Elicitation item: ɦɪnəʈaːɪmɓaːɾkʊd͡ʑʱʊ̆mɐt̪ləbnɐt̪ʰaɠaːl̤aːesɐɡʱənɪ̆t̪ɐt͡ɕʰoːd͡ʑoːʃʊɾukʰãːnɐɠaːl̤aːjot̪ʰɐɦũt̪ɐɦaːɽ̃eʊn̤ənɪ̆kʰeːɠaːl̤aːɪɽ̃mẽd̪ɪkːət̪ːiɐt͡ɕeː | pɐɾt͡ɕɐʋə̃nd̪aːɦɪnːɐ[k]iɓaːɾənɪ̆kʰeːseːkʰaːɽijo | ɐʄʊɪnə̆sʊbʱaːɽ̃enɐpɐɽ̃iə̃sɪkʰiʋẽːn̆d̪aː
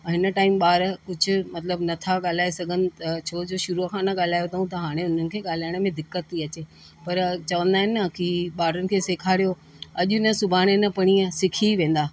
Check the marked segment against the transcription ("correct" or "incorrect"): correct